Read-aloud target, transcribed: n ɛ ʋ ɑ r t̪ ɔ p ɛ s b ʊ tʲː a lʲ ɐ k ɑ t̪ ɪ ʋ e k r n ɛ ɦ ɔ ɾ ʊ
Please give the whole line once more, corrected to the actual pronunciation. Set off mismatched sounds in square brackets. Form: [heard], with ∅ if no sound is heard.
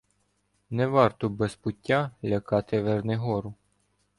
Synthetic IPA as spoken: n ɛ ʋ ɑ r t̪ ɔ [b] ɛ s [p] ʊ tʲː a lʲ ɐ k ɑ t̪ ɪ ʋ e [∅] r n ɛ ɦ ɔ ɾ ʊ

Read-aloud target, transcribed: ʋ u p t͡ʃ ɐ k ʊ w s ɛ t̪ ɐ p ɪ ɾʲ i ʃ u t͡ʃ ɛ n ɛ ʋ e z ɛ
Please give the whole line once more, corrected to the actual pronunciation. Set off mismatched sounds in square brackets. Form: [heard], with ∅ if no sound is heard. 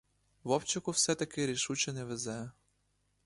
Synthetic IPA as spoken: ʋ [ɔ] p t͡ʃ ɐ k ʊ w s ɛ t̪ ɐ [k] ɪ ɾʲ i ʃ u t͡ʃ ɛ n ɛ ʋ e z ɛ

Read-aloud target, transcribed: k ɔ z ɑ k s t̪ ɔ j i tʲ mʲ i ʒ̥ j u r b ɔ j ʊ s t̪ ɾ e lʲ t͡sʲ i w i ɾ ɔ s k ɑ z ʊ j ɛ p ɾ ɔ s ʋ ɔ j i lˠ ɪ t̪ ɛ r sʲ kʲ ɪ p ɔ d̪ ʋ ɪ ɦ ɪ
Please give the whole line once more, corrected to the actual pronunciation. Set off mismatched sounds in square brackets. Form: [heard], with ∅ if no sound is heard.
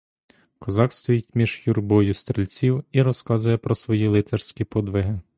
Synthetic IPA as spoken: k ɔ z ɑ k s t̪ ɔ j i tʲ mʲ i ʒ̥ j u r b ɔ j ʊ s t̪ ɾ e lʲ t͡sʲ i w i ɾ ɔ s k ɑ z ʊ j ɛ p ɾ ɔ s ʋ ɔ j i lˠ ɪ t̪ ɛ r sʲ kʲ [i] p ɔ d̪ ʋ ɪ ɦ ɪ

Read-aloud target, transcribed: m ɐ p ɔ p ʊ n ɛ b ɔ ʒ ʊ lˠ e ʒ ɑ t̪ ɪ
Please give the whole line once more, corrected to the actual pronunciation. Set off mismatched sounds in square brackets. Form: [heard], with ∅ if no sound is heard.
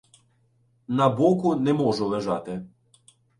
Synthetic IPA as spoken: [n] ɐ [b] ɔ [k] ʊ n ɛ [m] ɔ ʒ ʊ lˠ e ʒ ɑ t̪ ɪ

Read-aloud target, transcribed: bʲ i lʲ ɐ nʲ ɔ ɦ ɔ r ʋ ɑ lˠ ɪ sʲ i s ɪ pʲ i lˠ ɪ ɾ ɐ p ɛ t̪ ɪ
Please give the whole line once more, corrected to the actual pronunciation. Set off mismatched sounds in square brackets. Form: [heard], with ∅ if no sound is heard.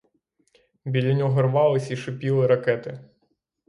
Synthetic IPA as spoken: bʲ i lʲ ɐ nʲ ɔ ɦ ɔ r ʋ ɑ lˠ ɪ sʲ i [ʃ] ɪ pʲ i lˠ ɪ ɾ ɐ [k] ɛ t̪ ɪ

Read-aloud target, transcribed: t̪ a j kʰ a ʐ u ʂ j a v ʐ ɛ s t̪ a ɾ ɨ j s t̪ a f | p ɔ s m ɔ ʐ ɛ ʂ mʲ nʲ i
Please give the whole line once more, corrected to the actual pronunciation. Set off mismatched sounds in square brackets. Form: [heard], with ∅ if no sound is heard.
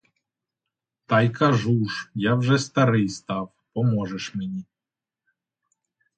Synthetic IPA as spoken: t̪ a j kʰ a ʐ u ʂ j a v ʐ ɛ s t̪ a ɾ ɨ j s t̪ a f | p ɔ [∅] m ɔ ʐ ɛ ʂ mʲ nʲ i

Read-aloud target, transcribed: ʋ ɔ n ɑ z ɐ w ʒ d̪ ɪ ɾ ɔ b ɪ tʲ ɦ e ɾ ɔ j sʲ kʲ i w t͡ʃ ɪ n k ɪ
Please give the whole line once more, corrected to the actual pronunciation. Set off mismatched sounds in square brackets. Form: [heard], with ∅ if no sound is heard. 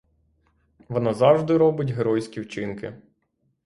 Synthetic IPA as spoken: ʋ ɔ n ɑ z [ɑ] w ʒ d̪ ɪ ɾ ɔ b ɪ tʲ ɦ e ɾ ɔ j sʲ kʲ i w t͡ʃ ɪ n k ɪ

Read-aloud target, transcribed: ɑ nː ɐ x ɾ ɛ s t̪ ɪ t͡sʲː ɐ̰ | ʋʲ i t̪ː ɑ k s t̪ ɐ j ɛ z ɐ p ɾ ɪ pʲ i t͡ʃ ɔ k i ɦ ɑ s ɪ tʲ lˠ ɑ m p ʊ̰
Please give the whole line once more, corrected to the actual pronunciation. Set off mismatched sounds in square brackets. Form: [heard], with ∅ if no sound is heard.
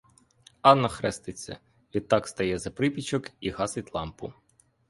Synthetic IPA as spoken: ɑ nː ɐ x ɾ ɛ s t̪ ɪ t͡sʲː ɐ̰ | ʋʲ i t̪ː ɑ k s t̪ ɐ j ɛ z ɐ p ɾ ɪ pʲ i t͡ʃ ɔ k i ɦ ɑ s ɪ tʲ lˠ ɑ m p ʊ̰

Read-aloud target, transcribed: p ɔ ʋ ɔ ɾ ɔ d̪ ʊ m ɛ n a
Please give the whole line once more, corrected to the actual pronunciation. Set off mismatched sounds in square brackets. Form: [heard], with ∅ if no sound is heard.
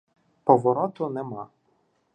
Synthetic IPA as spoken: p ɔ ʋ ɔ ɾ ɔ [t̪] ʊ [n] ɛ [m] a

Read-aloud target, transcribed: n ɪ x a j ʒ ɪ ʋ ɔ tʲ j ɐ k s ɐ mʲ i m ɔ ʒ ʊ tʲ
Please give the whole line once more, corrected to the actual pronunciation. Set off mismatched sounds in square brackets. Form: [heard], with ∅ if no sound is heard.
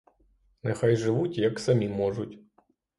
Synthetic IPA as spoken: n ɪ x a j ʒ ɪ ʋ [u] tʲ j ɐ k s ɐ mʲ i m ɔ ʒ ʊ tʲ

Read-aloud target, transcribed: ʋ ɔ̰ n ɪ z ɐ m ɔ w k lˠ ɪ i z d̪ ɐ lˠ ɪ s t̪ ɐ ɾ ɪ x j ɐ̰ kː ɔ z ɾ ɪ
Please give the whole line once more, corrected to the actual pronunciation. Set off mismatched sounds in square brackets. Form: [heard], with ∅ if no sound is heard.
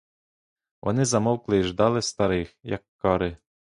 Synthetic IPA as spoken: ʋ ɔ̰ n ɪ z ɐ m ɔ w k lˠ ɪ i [ʒ] d̪ [ɑ] lˠ ɪ s t̪ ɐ ɾ ɪ x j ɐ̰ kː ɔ [∅] ɾ ɪ

